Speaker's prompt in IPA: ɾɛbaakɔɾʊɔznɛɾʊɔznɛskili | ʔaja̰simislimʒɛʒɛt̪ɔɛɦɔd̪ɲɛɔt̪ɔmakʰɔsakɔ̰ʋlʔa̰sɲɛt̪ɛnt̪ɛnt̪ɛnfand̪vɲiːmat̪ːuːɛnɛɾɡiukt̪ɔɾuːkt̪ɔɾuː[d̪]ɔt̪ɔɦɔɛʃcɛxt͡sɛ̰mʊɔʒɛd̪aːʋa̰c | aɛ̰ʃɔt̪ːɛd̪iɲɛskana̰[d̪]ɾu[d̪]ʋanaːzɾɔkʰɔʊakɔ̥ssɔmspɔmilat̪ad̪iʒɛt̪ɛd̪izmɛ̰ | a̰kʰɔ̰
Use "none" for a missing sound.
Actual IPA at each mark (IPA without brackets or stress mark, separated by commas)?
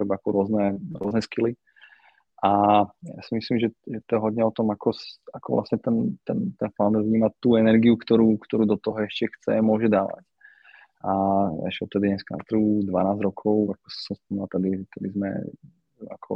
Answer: d̪, t̪, d̪